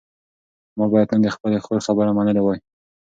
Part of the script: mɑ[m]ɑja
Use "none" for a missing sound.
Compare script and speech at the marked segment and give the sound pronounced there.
b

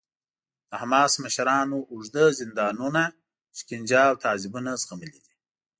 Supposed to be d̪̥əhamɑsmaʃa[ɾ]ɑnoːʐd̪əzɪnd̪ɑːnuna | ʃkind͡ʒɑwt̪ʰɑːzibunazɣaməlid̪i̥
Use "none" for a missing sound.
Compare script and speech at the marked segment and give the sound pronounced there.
ɾ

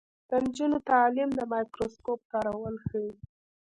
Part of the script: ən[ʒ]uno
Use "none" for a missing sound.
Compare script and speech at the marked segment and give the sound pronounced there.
d͡ʒ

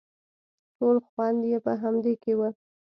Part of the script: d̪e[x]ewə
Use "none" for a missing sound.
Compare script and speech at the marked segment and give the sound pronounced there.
k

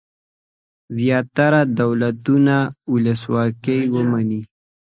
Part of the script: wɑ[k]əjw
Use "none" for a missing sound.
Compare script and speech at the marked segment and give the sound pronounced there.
k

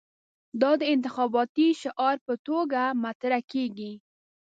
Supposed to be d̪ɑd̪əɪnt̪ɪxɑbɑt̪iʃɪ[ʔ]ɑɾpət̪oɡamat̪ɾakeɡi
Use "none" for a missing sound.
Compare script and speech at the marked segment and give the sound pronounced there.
ʔ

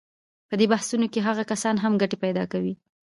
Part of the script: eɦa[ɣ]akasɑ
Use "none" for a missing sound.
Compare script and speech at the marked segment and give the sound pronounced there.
ɣ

